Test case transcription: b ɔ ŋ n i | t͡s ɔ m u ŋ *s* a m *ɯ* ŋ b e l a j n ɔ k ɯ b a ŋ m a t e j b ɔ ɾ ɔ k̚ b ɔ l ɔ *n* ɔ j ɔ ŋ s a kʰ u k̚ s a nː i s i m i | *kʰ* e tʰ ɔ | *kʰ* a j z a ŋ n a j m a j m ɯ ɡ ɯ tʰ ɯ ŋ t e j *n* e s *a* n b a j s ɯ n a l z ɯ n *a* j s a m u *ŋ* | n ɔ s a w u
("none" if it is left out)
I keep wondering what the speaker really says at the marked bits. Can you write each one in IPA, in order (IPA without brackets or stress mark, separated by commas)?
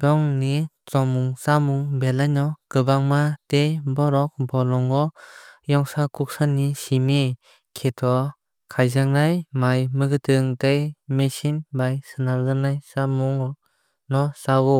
s, u, ŋ, kʰ, kʰ, m, i, a, ŋ